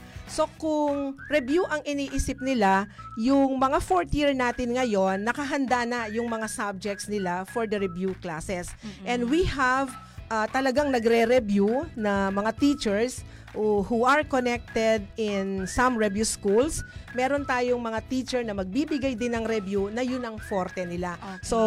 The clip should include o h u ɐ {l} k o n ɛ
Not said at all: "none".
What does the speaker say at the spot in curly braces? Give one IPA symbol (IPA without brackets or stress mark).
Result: ɹ